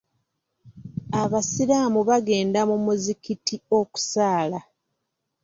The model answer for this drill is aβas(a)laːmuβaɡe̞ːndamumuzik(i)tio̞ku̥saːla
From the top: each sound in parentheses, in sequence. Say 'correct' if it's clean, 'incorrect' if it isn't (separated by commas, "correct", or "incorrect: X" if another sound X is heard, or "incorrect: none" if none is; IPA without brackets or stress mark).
incorrect: i, correct